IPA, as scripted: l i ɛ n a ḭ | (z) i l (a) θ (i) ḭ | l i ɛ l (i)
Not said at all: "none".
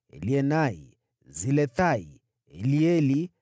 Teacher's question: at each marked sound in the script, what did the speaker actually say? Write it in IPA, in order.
z, ɛ, a, i

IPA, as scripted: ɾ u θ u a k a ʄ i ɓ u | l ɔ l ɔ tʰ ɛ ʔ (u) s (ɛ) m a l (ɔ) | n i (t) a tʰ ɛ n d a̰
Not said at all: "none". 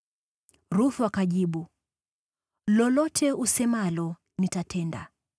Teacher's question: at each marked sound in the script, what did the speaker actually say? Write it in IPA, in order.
u, ɛ, ɔ, t

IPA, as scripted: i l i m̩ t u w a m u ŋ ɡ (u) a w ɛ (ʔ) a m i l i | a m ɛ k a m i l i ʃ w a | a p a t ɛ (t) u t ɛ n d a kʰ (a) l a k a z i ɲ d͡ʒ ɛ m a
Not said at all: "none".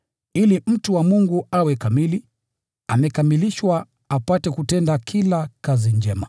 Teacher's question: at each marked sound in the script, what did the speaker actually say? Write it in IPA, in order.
u, k, k, i

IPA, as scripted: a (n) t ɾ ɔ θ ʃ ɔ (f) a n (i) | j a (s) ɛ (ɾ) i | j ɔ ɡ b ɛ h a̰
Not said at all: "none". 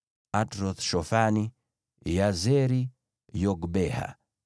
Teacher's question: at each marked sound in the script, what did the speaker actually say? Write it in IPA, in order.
none, f, i, z, ɾ

